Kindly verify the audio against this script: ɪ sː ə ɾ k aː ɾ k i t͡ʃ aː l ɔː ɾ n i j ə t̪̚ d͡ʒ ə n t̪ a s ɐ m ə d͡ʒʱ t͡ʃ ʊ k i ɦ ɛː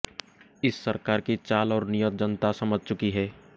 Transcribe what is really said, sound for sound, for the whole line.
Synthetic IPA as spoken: ɪ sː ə ɾ k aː ɾ k i t͡ʃ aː l ɔː ɾ n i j ə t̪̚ d͡ʒ ə n t̪ a s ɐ m ə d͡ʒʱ t͡ʃ ʊ k i ɦ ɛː